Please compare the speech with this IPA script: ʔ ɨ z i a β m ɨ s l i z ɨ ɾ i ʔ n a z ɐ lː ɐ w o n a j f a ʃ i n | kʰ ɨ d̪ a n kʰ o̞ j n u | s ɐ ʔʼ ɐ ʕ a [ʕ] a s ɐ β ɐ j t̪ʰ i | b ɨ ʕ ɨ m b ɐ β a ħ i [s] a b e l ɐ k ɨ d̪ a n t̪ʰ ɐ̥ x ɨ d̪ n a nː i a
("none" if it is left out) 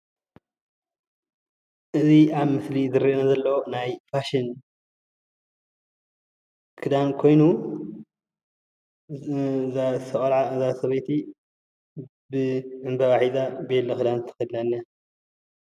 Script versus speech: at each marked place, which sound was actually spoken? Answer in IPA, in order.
z, z

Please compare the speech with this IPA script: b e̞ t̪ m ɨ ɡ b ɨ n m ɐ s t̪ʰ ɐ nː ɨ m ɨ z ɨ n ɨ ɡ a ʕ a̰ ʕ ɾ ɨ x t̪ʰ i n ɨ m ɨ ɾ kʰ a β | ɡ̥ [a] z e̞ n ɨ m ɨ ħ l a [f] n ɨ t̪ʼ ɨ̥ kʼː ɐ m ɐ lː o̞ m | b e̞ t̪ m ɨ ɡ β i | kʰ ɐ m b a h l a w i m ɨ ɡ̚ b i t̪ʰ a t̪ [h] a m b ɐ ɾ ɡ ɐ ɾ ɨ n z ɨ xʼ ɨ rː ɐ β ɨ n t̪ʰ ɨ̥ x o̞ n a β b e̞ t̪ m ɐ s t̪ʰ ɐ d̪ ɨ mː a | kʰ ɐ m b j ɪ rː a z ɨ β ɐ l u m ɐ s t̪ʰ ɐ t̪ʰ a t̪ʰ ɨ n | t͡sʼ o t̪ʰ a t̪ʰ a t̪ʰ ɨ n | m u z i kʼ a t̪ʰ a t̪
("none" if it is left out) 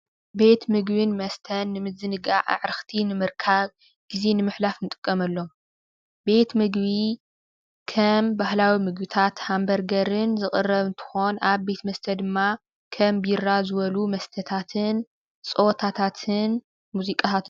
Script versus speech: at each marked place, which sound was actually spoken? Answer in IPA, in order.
i, f, h

